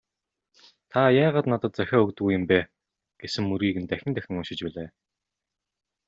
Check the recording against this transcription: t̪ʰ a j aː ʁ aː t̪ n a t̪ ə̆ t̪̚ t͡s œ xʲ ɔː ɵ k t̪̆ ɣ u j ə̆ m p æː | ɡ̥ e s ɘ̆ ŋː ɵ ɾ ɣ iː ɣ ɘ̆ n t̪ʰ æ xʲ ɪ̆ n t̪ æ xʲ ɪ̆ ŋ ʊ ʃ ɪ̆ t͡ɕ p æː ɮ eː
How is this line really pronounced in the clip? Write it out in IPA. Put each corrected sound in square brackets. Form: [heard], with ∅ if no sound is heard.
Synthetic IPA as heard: t̪ʰ a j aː ʁ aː t̪ n a t̪ ə̆ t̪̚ t͡s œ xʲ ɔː ɵ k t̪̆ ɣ u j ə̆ m p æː | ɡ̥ e s ɘ̆ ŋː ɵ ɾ ɣ iː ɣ ɘ̆ n [t̪] æ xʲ ɪ̆ n t̪ æ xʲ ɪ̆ ŋ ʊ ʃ ɪ̆ t͡ɕ p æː ɮ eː